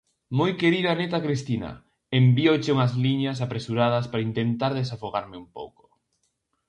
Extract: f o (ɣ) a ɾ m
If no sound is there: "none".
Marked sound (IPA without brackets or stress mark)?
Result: ɣ